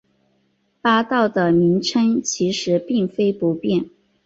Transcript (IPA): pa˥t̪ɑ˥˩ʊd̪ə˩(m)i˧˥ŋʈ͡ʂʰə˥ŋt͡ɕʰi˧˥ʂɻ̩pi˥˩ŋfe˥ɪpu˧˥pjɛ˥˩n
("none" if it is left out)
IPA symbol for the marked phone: m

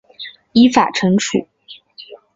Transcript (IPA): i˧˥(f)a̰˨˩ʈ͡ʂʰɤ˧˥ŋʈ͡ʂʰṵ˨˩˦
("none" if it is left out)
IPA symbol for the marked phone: f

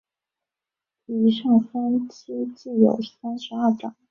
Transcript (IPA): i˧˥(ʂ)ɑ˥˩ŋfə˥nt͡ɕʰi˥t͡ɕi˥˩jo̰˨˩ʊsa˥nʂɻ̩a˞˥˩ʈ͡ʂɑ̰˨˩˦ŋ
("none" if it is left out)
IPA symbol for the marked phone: ʂ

